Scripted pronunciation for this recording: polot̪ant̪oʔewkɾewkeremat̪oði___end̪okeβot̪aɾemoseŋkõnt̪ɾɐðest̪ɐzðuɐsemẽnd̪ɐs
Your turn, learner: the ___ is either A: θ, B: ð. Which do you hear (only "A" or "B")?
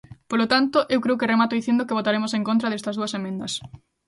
A